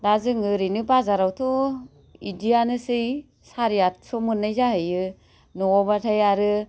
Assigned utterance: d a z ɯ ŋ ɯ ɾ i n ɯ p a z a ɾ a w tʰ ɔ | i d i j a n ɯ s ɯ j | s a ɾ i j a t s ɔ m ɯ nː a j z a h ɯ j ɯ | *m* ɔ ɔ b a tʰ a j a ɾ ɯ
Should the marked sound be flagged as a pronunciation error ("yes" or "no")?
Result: yes